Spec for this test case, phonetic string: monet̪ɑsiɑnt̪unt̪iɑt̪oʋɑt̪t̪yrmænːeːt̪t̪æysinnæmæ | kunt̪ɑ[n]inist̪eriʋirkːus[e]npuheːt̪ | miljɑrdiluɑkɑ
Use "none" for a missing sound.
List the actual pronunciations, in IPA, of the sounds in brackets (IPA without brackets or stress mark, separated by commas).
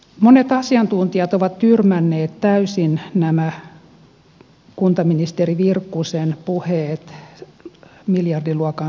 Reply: m, e